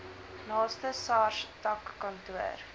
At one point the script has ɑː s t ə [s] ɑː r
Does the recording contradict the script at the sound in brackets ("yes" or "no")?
no